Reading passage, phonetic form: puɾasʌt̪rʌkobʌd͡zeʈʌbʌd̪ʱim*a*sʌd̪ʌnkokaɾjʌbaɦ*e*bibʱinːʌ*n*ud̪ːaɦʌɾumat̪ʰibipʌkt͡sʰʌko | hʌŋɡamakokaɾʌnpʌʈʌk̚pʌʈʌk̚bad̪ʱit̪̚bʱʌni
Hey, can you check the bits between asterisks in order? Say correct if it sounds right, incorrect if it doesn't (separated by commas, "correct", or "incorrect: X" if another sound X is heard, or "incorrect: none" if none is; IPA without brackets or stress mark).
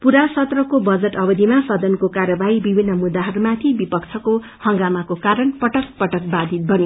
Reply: correct, incorrect: i, incorrect: m